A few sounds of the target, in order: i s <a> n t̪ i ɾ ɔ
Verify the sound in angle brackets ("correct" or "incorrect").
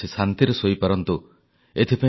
correct